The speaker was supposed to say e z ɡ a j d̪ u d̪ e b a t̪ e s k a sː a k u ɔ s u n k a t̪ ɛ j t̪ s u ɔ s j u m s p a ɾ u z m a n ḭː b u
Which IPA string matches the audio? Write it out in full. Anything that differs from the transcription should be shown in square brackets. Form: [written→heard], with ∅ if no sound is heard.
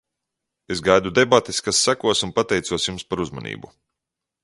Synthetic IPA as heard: e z ɡ a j d̪ u d̪ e b a t̪ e s k a sː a k u ɔ s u n [k→p] a t̪ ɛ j t̪ s u ɔ s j u m s p a ɾ u z m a n ḭː b u